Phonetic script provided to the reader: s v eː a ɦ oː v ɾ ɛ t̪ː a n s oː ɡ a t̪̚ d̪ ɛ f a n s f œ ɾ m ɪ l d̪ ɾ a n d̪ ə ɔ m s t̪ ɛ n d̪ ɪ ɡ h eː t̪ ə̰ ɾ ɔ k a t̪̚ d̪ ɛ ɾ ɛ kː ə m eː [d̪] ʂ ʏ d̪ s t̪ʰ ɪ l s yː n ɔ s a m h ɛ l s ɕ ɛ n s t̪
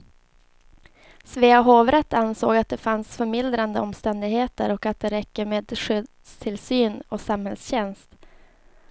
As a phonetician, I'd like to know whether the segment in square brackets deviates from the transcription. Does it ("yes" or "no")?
no